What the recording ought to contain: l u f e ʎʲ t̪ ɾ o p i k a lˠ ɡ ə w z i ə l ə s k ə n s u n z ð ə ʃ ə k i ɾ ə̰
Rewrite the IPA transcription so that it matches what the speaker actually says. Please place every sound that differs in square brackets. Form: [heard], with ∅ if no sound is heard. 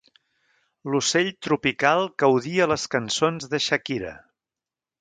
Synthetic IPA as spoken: l u [s] e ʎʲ t̪ ɾ [u] p i k a lˠ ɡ ə w [ð] i ə l ə s k ə n s [o] n z ð ə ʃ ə k i ɾ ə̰